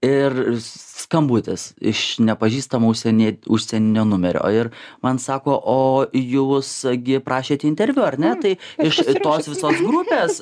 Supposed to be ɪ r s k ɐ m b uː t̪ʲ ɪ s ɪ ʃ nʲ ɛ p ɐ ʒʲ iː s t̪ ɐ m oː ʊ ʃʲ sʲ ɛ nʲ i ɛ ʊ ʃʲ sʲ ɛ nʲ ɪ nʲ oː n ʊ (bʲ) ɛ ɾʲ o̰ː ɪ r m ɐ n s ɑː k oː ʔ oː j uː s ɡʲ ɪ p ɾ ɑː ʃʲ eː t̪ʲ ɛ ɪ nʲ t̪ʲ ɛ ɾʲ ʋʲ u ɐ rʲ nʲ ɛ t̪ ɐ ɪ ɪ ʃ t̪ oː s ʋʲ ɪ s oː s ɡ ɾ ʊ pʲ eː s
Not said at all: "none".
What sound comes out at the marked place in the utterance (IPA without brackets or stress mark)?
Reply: mʲ